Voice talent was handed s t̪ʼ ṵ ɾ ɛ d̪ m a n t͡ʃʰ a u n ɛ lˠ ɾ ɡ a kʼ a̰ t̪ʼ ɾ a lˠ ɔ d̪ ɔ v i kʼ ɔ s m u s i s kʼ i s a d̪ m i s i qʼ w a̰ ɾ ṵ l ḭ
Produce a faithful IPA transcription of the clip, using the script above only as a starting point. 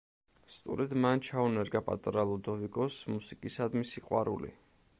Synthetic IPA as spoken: s t̪ʼ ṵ ɾ ɛ d̪ m a n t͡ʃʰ a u n ɛ ɾ ɡ a pʼ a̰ t̪ʼ ɾ a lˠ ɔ d̪ ɔ v i kʼ ɔ s m u s i kʼ i s a d̪ m i s i qʼ w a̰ ɾ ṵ l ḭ